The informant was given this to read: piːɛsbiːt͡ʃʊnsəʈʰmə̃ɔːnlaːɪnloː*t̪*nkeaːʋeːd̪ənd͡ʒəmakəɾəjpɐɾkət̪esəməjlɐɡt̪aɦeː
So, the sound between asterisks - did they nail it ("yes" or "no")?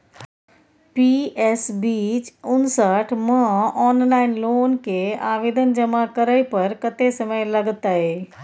no